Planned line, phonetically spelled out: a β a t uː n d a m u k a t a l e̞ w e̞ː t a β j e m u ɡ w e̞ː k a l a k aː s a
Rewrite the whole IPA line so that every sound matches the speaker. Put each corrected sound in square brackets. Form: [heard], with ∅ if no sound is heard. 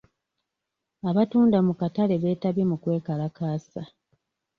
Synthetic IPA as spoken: a β a t uː n d a m u k a t a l e̞ [β] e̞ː t a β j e m u [k] w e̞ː k a l a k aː s a